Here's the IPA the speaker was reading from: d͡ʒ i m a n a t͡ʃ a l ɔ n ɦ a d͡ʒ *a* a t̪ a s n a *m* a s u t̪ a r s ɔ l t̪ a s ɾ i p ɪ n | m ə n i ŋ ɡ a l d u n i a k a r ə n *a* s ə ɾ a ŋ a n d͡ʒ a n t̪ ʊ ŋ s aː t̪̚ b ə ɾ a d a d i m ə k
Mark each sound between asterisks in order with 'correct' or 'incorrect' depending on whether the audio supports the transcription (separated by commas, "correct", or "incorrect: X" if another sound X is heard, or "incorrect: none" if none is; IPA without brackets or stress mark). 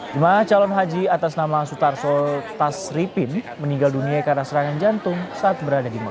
incorrect: i, correct, correct